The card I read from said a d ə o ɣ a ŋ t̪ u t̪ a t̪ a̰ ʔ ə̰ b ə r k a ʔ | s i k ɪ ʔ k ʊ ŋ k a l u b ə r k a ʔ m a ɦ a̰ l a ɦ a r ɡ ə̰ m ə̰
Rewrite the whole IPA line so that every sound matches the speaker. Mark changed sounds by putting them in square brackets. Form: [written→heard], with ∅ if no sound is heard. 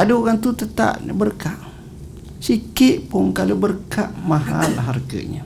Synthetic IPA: a d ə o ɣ a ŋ t̪ u t̪ [a→ə] t̪ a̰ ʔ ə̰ b ə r k a ʔ | s i k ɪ ʔ [k→p] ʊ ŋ k a l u b ə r k a ʔ m a ɦ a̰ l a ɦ a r ɡ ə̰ [m→ɲ] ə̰